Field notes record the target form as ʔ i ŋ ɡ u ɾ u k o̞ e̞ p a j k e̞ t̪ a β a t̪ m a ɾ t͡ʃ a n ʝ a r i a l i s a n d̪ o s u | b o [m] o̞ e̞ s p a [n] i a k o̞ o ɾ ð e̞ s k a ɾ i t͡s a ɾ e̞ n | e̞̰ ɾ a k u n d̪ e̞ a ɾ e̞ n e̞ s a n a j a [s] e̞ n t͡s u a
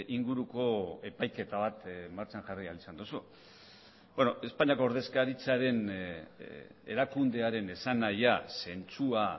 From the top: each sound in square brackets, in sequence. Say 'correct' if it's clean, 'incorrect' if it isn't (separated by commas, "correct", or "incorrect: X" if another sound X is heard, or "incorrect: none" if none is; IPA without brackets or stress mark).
incorrect: n, incorrect: ɲ, correct